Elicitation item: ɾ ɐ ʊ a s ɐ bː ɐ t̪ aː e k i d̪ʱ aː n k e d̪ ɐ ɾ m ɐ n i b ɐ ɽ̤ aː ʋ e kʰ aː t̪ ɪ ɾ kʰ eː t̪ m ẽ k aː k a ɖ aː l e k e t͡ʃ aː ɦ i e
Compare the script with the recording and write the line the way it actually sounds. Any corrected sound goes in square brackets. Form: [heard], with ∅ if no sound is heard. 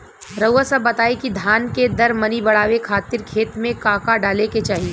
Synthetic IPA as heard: ɾ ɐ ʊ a s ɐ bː ɐ t̪ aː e k i d̪ʱ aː n k e d̪ ɐ ɾ m ɐ n i b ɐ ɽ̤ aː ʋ e kʰ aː t̪ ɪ ɾ kʰ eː t̪ m ẽ k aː k a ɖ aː l e k e t͡ʃ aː ɦ i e